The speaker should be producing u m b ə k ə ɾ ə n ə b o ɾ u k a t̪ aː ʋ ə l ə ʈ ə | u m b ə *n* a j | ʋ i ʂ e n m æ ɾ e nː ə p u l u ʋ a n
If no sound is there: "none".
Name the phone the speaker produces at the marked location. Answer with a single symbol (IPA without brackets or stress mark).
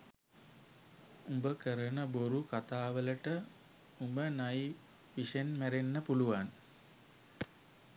n